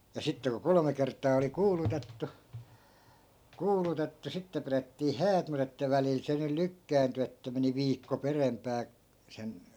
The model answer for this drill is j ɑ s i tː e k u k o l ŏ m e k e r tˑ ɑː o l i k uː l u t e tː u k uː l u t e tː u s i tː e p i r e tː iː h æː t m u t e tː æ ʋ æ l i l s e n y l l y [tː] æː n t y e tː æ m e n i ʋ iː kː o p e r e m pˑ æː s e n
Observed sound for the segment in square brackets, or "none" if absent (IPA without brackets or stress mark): kː